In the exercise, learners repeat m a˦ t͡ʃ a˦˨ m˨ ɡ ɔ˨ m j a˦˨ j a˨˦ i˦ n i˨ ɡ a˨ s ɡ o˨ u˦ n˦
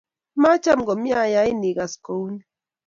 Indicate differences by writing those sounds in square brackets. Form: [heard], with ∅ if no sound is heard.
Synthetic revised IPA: m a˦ t͡ʃ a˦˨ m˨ ɡ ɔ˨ m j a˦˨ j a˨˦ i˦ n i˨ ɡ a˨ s [k] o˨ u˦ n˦